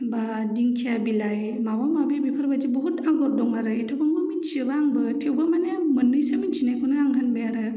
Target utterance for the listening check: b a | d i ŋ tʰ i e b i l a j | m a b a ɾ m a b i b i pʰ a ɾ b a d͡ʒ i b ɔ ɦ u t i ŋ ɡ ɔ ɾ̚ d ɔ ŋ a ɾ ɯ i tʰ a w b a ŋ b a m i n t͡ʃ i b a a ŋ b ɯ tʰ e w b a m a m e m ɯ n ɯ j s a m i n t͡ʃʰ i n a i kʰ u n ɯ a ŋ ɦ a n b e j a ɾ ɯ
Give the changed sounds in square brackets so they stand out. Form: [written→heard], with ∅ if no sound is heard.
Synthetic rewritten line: b a | d i ŋ [tʰ→kʰ] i [e→a] b i l a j | m a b a [ɾ→∅] m a b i b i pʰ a ɾ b a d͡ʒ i b ɔ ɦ u t [i→a] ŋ ɡ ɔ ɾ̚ d ɔ ŋ a ɾ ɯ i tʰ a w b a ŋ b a m i n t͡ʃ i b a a ŋ b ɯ tʰ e w b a m a [m→n] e m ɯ n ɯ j s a m i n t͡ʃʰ i n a [i→j] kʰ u n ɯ a ŋ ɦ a n b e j a ɾ ɯ